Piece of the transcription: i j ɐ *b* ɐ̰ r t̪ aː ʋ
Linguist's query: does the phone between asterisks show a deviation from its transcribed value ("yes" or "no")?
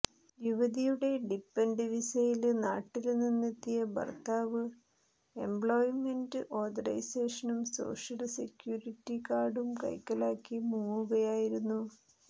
no